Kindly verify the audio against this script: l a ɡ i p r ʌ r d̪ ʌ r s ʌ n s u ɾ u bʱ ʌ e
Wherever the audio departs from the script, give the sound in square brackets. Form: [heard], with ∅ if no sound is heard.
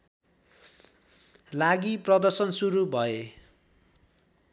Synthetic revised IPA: l a ɡ i p r ʌ [∅] d̪ ʌ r s ʌ n s u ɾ u bʱ ʌ e